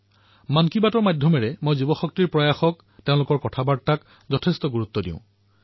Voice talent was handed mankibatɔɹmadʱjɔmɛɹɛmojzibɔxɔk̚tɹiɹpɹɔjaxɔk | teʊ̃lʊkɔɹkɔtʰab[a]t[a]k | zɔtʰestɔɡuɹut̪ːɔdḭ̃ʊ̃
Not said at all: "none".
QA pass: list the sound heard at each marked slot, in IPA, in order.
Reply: a, a

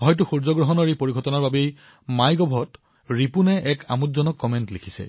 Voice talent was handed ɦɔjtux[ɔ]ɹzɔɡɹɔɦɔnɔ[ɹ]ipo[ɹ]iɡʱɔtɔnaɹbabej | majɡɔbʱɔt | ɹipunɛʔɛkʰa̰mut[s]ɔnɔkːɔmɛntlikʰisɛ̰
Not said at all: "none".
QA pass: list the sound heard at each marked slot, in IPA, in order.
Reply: u, ɹ, ɹ, z

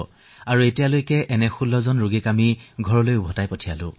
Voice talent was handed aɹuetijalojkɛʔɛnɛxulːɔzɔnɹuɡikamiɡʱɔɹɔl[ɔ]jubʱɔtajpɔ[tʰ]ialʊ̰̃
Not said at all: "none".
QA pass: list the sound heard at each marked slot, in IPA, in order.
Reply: o, tʰ

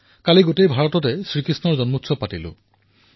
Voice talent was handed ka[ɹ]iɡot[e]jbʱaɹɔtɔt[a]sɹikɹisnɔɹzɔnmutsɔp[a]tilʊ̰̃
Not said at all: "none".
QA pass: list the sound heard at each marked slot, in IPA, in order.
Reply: l, e, ɛ, a

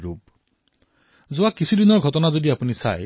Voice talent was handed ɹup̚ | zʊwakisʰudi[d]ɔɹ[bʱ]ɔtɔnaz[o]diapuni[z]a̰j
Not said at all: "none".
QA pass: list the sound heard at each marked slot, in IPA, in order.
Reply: n, ɡʱ, o, s

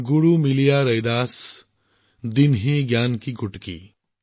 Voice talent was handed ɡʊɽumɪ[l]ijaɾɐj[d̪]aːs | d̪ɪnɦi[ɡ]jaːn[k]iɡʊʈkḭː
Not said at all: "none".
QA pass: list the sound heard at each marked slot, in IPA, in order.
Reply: l, d̪, ɡ, k

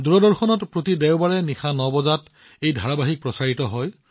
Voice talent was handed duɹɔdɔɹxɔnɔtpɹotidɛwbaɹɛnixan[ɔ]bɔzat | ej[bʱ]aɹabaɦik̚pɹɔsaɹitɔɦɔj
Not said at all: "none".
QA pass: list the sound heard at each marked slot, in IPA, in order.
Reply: ɔ, dʱ

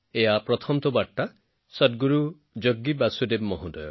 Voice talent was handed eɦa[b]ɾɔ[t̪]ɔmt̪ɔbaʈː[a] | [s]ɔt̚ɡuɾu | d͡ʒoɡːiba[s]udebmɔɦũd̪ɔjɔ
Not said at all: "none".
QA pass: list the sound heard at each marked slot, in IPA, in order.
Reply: p, t̪ʰ, a, s, s

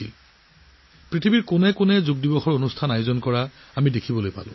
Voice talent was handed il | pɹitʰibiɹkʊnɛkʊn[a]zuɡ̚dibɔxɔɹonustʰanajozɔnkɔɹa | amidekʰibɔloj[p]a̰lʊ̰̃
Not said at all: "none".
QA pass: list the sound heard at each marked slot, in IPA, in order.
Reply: ɛ, p

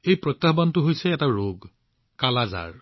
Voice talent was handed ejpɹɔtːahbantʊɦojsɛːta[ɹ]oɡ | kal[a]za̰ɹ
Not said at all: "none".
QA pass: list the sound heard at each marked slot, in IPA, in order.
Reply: ɹ, a

